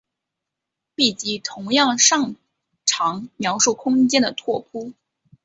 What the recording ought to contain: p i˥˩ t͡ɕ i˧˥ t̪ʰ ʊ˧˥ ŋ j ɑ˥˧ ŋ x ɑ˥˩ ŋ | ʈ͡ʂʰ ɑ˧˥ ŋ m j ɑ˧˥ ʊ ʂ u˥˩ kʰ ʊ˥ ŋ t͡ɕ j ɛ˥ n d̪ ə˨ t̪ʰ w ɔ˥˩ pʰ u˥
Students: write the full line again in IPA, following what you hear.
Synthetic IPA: p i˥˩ t͡ɕ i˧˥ t̪ʰ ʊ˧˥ ŋ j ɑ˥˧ ŋ ʂ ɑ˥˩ ŋ | ʈ͡ʂʰ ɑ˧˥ ŋ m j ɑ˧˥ ʊ ʂ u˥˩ kʰ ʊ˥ ŋ t͡ɕ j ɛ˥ n d̪ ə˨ t̪ʰ w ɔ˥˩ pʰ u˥